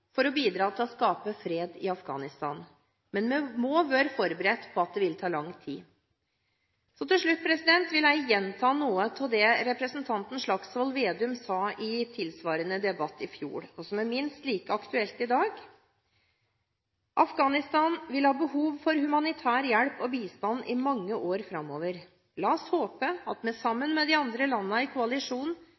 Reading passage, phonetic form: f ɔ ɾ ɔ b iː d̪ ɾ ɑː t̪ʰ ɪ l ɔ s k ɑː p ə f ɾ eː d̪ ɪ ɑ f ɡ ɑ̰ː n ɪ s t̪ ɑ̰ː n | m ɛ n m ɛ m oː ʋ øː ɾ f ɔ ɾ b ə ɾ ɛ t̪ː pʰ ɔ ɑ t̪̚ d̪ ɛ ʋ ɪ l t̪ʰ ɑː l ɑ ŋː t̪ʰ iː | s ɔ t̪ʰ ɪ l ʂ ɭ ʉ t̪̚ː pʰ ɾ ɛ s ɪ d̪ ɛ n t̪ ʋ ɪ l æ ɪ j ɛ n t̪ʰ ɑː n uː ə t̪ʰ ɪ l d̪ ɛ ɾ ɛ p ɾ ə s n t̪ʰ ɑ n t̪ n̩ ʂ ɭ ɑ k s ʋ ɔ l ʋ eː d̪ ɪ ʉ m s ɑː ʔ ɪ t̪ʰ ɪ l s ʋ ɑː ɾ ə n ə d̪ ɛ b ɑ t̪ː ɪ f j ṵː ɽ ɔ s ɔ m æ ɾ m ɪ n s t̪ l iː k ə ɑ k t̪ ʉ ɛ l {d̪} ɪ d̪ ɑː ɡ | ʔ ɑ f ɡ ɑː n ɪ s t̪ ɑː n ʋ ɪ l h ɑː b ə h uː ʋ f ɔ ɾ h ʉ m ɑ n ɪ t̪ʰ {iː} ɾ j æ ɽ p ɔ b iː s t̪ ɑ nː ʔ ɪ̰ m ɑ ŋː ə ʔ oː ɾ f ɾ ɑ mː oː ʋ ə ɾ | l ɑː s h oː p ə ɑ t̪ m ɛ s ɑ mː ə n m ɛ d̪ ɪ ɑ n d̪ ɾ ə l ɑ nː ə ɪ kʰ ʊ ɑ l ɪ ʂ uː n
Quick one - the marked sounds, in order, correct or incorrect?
incorrect, incorrect

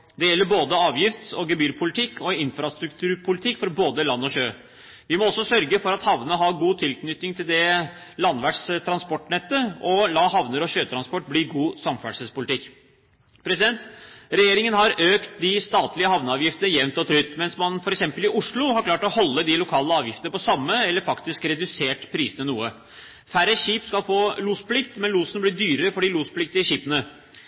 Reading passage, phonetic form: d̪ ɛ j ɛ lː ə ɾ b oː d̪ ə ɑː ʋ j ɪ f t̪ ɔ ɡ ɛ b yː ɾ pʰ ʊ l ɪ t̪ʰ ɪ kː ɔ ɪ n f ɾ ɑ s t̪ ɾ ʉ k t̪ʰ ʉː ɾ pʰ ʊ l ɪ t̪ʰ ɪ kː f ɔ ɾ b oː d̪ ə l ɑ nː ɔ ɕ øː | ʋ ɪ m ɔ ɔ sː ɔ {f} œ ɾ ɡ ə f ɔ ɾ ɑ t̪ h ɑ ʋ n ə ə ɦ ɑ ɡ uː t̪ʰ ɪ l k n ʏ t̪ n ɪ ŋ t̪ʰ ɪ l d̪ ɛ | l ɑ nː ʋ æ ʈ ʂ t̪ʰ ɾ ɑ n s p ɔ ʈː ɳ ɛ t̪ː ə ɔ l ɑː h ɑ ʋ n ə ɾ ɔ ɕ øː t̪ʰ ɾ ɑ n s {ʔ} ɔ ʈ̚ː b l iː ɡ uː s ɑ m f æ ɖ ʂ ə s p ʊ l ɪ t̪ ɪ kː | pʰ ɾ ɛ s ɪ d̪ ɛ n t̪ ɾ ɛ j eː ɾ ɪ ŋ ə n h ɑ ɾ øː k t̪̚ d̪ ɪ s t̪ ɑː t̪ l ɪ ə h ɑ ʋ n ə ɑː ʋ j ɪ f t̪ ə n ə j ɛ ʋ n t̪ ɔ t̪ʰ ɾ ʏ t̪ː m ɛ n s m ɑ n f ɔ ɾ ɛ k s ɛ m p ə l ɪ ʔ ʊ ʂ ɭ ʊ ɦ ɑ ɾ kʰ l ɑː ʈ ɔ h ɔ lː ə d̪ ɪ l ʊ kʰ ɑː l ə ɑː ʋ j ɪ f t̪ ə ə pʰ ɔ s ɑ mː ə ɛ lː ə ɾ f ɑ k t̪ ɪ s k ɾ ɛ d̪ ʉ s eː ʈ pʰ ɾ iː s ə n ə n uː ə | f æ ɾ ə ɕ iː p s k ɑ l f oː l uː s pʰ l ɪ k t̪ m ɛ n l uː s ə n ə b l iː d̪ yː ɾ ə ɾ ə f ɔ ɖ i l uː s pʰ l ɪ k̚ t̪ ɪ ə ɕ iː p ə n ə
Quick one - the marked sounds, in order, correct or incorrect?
incorrect, incorrect

